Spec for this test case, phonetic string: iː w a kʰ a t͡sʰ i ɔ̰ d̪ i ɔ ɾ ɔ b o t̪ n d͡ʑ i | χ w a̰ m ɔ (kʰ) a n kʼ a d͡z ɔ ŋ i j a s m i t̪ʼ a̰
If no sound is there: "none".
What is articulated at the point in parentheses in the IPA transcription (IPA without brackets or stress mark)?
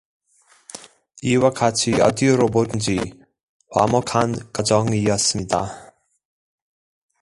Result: kʰ